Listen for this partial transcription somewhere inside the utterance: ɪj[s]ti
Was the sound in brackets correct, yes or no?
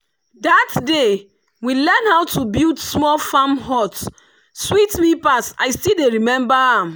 yes